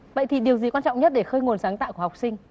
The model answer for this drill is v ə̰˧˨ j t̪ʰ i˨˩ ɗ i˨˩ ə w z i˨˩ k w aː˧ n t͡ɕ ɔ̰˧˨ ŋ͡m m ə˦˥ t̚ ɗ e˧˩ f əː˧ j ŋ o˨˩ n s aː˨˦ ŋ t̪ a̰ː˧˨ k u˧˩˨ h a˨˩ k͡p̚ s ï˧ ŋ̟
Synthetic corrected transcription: v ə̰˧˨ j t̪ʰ i˨˩ ɗ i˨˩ ə w z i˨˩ k w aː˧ n t͡ɕ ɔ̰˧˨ ŋ͡m ɲ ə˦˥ t̚ ɗ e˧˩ x əː˧ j ŋ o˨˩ n s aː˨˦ ŋ t̪ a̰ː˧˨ k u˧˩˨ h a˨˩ k͡p̚ s ï˧ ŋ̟